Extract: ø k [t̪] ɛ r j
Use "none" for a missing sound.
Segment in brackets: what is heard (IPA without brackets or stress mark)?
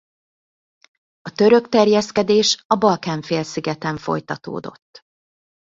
t̪